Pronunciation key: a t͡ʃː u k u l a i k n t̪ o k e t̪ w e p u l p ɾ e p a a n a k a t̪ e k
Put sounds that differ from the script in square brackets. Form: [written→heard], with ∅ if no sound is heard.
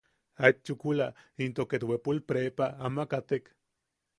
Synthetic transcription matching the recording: a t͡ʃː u k u l a i [k→∅] n t̪ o k e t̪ w e p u l p ɾ e p a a [n→m] a k a t̪ e k